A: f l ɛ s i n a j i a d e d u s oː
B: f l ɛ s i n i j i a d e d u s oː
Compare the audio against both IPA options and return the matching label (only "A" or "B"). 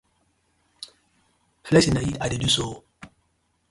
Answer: A